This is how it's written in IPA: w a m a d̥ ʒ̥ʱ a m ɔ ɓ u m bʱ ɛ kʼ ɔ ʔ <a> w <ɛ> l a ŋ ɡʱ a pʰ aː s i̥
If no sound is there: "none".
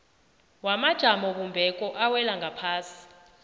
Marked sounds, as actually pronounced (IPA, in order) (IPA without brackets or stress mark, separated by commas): a, ɛ